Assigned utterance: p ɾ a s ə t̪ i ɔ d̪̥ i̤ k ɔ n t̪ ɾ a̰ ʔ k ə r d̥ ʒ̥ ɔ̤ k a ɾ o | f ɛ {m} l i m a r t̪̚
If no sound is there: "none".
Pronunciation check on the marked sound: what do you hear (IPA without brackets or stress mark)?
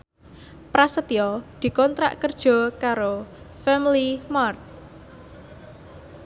m